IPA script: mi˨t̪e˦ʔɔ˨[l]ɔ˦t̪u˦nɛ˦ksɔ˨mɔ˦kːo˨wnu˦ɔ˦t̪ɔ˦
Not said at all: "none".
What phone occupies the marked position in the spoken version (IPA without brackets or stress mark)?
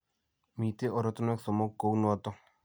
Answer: ɾ